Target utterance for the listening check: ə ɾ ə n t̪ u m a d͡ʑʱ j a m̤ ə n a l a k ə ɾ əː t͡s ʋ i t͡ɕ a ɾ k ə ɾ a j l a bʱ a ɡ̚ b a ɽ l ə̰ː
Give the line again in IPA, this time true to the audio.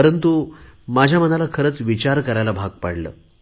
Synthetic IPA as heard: ə ɾ ə n t̪ u m a d͡ʑʱ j a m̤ ə n a l a kʰ ə ɾ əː t͡s ʋ i t͡ɕ a ɾ k ə ɾ a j l a bʱ a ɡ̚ p a ɽ l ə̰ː